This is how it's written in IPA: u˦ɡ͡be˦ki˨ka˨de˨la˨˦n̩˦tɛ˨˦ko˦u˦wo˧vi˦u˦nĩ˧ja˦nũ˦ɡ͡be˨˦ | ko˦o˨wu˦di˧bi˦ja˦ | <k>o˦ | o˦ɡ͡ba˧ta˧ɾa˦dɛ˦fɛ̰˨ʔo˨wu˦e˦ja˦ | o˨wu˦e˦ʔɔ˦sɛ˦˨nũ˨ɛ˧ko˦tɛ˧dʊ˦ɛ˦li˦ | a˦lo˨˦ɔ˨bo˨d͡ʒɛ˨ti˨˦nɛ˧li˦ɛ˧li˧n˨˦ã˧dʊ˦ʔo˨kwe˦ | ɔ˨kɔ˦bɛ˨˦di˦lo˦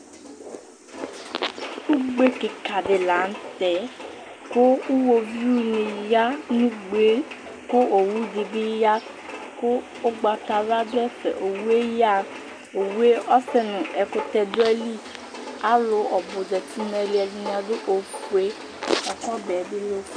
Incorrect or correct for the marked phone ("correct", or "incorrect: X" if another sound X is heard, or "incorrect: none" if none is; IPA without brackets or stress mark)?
correct